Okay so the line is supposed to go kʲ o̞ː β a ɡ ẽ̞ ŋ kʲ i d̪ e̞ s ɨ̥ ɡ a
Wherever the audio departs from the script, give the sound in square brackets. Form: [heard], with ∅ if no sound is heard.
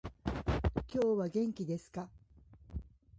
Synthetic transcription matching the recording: kʲ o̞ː β a ɡ ẽ̞ ŋ kʲ i d̪ e̞ s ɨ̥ [k] a